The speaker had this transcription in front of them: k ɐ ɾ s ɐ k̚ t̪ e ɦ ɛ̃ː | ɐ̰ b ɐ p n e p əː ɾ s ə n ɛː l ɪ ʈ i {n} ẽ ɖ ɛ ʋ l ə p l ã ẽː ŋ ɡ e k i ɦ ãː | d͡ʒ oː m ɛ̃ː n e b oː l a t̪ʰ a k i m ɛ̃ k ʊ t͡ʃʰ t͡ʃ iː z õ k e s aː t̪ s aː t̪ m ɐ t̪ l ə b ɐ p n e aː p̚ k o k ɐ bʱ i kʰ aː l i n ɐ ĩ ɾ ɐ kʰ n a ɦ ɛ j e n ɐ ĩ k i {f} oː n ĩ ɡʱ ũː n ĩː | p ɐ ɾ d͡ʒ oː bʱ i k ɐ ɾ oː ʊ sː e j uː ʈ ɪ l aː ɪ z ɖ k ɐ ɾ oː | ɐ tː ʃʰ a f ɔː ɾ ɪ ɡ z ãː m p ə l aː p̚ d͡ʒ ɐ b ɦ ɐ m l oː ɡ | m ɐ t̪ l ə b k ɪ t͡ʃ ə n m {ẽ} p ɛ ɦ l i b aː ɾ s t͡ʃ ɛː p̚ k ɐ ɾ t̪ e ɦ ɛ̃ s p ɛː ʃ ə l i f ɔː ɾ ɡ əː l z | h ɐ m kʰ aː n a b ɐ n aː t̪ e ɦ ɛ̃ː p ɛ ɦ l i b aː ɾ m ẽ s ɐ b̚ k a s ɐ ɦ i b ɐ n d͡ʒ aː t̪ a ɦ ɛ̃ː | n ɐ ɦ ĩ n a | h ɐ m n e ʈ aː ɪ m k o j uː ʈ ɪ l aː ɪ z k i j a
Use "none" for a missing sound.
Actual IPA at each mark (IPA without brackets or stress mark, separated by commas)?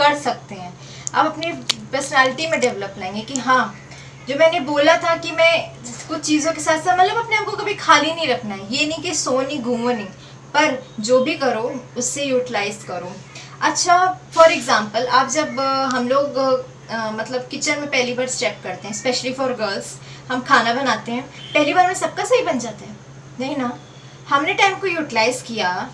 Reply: m, s, ẽ